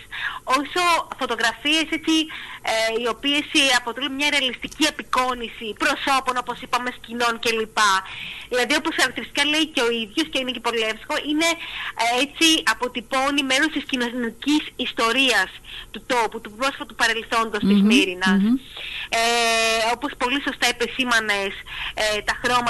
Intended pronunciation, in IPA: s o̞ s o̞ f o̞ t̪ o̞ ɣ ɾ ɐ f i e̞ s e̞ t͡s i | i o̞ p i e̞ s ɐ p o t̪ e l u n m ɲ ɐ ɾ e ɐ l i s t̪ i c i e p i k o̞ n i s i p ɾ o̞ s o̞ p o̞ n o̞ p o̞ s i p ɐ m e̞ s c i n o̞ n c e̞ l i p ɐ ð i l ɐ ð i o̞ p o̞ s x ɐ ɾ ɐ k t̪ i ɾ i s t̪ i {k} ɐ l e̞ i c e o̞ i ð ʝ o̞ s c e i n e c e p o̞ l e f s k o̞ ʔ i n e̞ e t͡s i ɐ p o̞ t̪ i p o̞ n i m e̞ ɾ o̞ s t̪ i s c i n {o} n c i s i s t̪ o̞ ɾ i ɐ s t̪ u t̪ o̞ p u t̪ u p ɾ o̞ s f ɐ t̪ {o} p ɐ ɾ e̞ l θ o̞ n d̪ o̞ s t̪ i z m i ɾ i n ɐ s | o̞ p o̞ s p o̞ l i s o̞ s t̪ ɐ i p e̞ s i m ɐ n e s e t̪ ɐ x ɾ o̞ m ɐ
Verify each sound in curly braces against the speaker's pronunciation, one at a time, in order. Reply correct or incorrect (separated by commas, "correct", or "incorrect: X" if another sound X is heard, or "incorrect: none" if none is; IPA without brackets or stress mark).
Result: correct, correct, incorrect: u